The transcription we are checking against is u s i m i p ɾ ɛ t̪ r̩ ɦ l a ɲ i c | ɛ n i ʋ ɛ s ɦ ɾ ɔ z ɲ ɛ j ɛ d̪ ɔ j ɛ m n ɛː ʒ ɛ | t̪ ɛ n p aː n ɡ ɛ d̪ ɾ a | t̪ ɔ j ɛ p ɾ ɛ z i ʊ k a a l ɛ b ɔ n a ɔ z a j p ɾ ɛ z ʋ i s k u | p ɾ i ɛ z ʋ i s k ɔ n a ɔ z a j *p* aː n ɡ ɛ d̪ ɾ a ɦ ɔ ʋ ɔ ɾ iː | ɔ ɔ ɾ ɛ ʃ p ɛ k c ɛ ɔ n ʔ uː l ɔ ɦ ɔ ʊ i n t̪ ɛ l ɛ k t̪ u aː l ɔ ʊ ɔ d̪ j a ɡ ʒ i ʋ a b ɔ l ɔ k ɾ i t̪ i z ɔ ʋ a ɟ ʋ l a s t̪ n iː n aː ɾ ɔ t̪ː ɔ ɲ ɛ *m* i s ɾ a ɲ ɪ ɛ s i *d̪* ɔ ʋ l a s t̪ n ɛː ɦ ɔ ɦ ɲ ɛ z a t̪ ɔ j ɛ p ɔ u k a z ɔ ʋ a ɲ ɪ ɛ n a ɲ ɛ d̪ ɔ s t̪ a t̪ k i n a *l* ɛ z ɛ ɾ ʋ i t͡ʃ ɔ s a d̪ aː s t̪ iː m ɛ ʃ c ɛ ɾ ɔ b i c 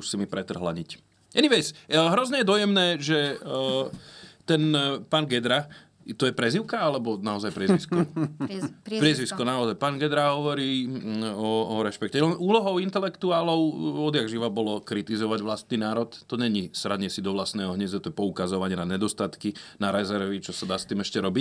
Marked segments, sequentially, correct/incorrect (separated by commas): correct, incorrect, correct, incorrect